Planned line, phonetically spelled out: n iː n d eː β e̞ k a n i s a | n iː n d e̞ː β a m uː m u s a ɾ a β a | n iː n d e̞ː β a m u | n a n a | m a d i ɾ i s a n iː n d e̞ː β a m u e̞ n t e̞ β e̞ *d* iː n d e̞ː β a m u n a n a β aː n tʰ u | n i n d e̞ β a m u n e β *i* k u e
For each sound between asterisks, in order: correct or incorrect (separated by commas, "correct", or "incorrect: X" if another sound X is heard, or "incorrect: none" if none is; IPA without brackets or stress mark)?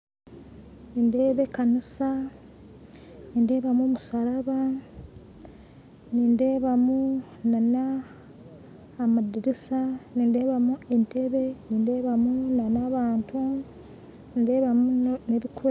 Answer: incorrect: n, correct